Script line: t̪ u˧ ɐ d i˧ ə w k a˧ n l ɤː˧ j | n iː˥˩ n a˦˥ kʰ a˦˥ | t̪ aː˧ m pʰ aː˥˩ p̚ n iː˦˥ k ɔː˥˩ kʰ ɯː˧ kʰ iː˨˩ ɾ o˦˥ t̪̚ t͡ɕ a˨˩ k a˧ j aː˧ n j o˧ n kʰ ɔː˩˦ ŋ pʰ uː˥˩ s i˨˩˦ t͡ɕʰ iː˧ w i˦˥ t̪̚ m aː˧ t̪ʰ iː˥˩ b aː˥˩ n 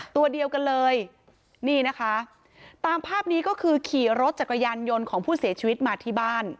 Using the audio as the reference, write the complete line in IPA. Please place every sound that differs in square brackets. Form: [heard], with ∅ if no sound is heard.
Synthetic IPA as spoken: t̪ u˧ ɐ d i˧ ə w k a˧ n l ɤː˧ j | n iː˥˩ n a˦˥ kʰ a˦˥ | t̪ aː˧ m pʰ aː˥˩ p̚ n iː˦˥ k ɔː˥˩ kʰ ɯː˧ kʰ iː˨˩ ɾ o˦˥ t̪̚ t͡ɕ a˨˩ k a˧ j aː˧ n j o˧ n kʰ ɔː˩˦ ŋ pʰ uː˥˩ s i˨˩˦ t͡ɕʰ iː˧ w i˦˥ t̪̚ m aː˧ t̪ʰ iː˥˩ b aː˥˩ n

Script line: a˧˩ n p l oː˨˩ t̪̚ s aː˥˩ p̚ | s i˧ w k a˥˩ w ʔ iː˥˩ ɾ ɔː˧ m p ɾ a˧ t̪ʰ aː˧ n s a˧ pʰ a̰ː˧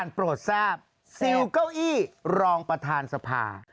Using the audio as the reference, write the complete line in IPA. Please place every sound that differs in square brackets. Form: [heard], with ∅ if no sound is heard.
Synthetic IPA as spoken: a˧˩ n p [ɾ] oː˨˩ t̪̚ s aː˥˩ p̚ | s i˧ w k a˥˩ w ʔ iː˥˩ ɾ ɔː˧ [ŋ] p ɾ a˧ t̪ʰ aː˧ n s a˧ pʰ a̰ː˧

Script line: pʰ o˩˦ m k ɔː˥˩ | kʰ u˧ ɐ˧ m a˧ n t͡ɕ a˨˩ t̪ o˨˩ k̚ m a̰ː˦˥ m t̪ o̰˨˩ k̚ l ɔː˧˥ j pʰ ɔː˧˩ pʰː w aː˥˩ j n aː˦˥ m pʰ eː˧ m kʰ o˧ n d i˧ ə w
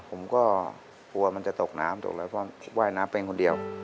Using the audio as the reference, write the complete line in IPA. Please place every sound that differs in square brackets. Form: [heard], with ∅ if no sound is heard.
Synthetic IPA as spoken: pʰ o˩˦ m k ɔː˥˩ | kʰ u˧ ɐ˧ m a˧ n t͡ɕ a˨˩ t̪ o˨˩ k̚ [n] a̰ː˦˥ m t̪ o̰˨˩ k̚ l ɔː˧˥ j pʰ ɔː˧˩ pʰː w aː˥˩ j n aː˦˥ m [p] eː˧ [ŋ] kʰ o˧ n d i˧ ə w

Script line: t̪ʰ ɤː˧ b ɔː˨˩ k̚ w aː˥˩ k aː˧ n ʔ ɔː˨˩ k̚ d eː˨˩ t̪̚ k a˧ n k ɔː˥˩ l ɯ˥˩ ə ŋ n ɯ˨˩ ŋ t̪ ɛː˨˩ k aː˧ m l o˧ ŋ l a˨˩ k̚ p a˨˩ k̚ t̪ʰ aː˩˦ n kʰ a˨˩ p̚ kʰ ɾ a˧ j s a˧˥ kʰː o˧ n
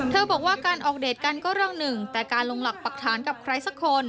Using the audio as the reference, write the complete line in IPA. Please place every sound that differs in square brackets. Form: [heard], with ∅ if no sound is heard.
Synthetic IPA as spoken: t̪ʰ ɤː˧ b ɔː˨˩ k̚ w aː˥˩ k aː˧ n ʔ ɔː˨˩ k̚ d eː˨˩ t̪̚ k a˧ n k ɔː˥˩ [ɾ] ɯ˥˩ ə ŋ n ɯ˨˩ ŋ t̪ ɛː˨˩ k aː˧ [n] l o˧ ŋ l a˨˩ k̚ p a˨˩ k̚ t̪ʰ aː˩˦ n [k] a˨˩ p̚ kʰ ɾ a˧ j s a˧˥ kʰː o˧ n

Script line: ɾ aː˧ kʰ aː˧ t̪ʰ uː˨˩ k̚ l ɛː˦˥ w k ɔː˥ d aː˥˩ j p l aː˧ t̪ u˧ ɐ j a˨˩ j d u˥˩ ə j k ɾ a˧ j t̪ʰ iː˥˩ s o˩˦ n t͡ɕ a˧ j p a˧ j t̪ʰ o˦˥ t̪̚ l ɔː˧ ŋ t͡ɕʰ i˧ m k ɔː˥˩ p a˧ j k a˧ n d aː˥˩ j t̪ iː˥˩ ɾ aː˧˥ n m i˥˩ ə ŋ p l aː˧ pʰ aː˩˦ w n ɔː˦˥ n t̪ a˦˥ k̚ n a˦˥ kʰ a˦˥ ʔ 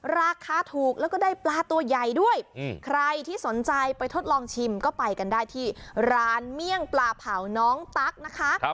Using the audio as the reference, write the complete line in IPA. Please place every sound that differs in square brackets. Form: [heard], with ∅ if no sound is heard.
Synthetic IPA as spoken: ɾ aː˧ kʰ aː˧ t̪ʰ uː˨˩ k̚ l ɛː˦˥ w k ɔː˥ d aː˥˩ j p l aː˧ t̪ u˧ ɐ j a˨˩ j d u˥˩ ə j [kʰ] ɾ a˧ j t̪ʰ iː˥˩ s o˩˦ n t͡ɕ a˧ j p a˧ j t̪ʰ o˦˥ t̪̚ l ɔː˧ ŋ t͡ɕʰ i˧ m k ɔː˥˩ p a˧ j k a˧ n d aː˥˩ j [t̪ʰ] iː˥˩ ɾ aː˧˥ n m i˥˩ ə ŋ p l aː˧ pʰ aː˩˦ w n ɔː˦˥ [ŋ] t̪ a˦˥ k̚ n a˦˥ kʰ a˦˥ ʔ

